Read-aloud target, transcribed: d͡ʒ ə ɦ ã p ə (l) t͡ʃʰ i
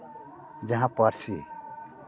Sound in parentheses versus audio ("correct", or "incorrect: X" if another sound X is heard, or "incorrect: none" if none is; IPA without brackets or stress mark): incorrect: ɾ